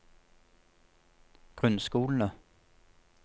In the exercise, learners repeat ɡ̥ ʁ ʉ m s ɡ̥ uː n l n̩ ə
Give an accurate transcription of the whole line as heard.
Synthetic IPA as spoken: ɡ̥ ʁ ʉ n s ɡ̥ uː l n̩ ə